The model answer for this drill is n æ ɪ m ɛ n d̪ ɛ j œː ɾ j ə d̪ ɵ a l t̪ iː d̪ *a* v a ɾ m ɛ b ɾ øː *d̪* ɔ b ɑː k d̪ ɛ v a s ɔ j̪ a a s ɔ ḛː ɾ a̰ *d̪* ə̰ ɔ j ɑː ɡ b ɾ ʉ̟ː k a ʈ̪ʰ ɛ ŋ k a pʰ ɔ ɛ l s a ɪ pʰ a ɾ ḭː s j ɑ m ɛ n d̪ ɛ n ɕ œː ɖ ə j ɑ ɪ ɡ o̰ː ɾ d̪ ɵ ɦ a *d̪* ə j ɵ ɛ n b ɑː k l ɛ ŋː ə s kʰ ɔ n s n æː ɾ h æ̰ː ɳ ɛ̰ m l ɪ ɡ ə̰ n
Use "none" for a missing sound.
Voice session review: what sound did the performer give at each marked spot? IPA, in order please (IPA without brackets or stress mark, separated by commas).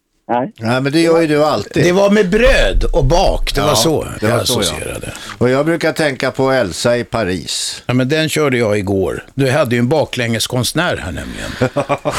ɛ, d̪, d̪, d̪ː